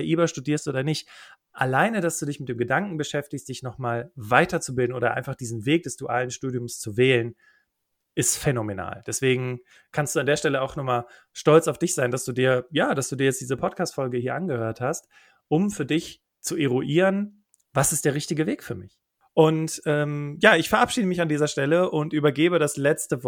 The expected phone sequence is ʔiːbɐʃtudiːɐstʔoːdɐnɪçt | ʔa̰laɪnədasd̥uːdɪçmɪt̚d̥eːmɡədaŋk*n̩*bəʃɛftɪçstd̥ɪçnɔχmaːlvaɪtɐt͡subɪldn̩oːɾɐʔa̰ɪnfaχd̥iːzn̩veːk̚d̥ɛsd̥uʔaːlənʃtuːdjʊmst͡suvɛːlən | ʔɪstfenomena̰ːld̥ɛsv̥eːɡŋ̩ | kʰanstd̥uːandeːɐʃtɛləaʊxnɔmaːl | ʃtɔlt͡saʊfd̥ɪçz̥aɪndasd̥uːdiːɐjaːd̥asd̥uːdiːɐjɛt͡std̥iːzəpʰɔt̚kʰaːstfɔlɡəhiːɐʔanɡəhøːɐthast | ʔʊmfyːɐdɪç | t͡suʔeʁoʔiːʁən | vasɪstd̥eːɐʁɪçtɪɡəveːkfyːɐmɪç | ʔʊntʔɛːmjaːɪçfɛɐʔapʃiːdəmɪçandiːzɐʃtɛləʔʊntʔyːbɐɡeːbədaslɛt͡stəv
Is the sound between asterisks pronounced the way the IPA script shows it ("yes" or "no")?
no